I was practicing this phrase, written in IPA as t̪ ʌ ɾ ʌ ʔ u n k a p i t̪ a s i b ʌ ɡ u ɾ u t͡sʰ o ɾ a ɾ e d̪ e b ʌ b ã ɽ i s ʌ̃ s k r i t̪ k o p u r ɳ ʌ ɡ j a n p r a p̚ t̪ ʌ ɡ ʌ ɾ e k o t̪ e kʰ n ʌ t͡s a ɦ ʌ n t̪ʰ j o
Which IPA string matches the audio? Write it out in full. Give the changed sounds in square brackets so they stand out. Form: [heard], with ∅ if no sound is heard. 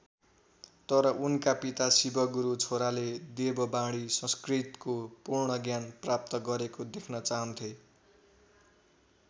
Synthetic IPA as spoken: t̪ ʌ ɾ ʌ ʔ u n k a p i t̪ a s i b ʌ ɡ u ɾ u t͡sʰ o ɾ a [l] e d̪ e b ʌ b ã ɽ i s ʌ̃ s k r i t̪ k o p u r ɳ ʌ ɡ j a n p r a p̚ t̪ ʌ ɡ ʌ ɾ e k o [d̪] e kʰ n ʌ t͡s a ɦ ʌ n t̪ʰ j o